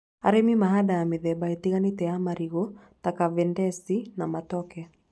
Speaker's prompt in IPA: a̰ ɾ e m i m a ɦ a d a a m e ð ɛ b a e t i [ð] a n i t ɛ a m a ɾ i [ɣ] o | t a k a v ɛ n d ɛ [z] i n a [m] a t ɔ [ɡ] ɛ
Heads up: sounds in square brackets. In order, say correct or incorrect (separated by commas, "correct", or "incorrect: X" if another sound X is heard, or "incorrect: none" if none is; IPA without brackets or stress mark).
incorrect: ɣ, correct, incorrect: s, correct, incorrect: k